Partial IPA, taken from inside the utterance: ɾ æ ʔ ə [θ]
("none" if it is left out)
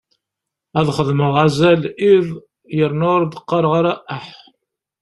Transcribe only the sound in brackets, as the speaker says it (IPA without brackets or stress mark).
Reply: ħ